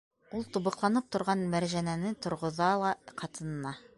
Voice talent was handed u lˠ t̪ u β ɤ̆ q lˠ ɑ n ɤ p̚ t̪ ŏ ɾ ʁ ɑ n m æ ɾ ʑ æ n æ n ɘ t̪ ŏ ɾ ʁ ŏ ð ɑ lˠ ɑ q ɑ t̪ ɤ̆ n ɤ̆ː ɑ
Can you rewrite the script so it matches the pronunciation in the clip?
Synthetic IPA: u lˠ t̪ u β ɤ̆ q lˠ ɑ n ɤ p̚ t̪ ŏ ɾ ʁ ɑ n m æ ɾ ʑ æ n æ n ɘ t̪ ŏ ɾ ʁ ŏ ð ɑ lˠ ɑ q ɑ t̪ ɤ̆ n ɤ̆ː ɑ